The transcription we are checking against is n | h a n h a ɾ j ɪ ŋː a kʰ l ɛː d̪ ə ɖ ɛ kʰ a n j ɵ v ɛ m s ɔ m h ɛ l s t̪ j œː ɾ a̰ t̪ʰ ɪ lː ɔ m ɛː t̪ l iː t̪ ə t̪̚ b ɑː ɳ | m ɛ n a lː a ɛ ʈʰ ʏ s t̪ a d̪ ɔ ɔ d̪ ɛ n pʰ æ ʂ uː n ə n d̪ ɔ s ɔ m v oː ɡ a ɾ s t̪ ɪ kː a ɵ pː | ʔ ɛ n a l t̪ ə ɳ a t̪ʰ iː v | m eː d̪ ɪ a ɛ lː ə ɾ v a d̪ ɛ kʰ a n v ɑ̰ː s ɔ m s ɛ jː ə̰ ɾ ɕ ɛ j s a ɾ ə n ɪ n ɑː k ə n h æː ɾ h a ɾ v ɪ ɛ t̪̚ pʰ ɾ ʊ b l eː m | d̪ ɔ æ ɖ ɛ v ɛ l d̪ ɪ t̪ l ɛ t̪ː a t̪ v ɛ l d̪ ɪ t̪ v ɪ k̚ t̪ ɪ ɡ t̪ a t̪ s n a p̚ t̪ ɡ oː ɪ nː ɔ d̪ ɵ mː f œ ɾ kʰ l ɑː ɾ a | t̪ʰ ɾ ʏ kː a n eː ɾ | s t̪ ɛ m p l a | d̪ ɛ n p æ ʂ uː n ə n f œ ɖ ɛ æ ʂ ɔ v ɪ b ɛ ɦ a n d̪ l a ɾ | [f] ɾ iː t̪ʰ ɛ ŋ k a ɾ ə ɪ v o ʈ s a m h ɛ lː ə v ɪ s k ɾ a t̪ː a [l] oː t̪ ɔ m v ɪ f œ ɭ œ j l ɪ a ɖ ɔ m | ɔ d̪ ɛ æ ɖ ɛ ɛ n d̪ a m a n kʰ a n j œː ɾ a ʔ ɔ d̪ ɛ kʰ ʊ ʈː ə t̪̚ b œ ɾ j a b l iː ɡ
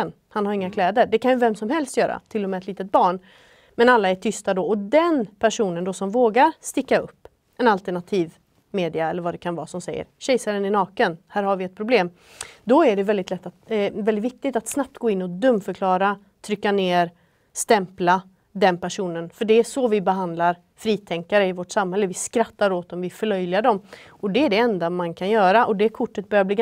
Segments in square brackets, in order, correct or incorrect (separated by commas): correct, incorrect